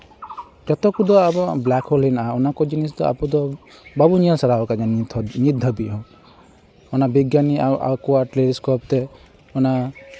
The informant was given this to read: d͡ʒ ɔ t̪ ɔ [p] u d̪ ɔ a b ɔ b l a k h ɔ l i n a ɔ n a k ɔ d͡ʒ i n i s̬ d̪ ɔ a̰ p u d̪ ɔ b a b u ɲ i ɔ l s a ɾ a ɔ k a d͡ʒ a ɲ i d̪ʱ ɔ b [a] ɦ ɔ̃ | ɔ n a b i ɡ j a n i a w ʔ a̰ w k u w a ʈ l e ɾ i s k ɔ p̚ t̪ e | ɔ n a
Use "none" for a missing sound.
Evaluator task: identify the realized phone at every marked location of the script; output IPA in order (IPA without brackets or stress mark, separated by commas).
k, i